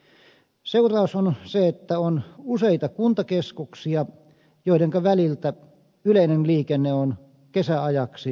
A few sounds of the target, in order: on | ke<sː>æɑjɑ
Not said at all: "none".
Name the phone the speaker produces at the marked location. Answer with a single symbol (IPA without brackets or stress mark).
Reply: s